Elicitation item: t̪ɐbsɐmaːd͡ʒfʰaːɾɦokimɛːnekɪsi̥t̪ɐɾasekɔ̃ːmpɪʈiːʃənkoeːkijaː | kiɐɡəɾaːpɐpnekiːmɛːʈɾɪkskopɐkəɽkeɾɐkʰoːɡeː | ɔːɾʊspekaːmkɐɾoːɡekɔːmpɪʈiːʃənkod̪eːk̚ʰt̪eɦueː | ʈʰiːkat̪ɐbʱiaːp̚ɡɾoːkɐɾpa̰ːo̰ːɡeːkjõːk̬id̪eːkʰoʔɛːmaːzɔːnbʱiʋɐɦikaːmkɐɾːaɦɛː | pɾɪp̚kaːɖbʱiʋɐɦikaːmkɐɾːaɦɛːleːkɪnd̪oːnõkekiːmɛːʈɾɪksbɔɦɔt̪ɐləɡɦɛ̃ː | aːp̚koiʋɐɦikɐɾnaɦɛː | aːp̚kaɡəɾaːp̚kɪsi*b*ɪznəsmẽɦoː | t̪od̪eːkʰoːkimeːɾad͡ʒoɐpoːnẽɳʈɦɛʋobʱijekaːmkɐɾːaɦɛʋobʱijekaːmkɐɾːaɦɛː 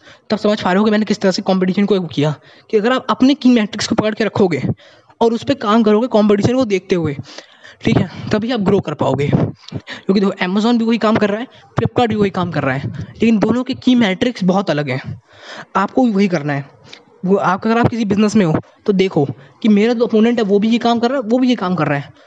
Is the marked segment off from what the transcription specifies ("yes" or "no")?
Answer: no